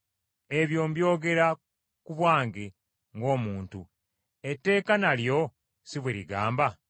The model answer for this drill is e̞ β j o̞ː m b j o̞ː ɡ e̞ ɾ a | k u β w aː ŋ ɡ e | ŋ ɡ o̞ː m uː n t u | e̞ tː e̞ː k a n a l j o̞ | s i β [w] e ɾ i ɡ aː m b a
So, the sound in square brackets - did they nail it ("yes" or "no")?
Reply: yes